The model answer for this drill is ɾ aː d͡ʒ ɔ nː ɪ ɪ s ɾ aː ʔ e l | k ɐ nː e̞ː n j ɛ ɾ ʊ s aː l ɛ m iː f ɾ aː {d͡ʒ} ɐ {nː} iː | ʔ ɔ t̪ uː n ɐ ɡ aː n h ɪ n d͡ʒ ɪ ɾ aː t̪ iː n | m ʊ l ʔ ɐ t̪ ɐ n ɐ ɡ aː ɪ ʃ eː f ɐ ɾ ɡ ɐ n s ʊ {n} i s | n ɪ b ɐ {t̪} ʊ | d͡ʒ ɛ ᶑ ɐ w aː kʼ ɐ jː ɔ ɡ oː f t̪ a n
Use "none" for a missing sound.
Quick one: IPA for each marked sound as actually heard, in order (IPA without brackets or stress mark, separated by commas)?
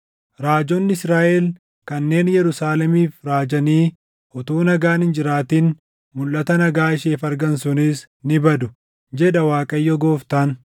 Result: d͡ʒ, n, n, d̪